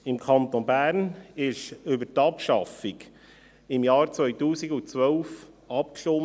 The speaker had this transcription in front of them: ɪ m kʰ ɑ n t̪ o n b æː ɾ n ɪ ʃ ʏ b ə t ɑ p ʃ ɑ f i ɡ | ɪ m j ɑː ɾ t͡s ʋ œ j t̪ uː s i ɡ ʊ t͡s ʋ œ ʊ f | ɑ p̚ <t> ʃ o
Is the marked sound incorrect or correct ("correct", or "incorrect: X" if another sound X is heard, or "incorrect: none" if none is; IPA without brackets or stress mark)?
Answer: incorrect: k